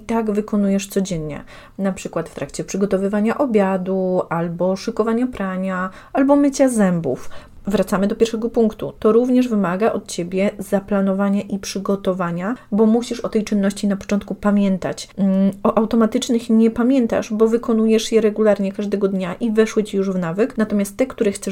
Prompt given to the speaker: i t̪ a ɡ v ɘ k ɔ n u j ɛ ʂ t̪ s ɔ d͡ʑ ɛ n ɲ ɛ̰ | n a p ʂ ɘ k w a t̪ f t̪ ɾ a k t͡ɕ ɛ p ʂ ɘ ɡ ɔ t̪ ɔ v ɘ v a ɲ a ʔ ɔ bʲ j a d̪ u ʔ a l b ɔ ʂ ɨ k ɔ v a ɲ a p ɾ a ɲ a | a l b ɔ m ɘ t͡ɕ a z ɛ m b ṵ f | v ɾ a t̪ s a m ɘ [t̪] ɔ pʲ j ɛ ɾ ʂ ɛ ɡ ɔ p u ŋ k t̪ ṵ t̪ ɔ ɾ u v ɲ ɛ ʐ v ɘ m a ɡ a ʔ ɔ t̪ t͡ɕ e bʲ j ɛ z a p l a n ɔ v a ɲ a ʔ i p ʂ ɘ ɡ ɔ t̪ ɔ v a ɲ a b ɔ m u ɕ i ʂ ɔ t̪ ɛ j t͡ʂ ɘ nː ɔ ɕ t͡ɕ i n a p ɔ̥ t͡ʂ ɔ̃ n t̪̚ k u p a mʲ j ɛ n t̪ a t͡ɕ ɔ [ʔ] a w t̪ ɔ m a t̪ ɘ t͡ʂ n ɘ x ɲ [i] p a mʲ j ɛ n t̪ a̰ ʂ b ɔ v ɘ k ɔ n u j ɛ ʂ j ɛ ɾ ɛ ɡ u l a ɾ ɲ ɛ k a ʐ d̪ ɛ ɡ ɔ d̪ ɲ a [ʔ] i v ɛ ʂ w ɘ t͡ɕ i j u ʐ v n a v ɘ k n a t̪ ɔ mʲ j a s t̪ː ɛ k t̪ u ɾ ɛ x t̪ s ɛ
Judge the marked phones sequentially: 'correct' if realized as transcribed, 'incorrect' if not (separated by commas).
incorrect, correct, incorrect, correct